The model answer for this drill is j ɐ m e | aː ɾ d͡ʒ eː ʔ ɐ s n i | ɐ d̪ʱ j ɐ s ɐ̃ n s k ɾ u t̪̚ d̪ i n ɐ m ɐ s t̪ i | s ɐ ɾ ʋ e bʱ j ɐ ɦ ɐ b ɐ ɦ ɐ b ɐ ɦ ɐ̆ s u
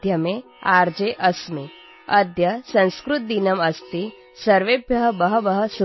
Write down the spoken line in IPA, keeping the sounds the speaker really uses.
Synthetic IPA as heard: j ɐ m e | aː ɾ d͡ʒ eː ʔ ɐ s m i | ɐ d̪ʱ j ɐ s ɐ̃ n s k ɾ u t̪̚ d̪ i n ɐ m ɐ s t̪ i | s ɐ ɾ ʋ e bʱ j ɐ ɦ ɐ b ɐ ɦ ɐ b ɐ ɦ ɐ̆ s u